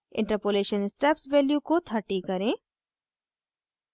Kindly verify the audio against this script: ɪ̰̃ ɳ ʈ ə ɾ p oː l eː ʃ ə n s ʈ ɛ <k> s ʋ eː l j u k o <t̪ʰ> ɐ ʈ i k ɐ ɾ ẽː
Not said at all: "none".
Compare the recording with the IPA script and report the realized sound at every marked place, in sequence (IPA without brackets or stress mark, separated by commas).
p, t̪ʰ